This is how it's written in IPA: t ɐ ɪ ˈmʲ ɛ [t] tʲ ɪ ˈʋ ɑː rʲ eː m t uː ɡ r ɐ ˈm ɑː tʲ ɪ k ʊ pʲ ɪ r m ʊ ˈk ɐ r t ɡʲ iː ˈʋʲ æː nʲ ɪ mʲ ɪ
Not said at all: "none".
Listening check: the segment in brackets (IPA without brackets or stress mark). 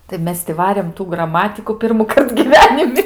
s